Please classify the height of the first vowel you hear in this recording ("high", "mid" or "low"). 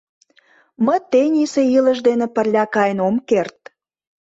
mid